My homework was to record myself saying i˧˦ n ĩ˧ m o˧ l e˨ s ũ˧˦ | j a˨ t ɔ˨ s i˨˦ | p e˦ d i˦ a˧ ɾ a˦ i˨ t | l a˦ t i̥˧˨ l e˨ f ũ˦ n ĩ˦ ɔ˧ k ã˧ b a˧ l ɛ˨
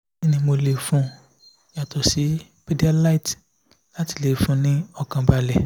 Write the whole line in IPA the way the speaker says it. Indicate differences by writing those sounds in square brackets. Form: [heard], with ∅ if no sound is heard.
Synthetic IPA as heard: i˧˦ n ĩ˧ m o˧ l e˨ [f] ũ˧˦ | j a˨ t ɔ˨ s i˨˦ | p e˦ d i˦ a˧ [l] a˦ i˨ t | l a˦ t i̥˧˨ l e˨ f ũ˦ n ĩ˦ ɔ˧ k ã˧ b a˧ l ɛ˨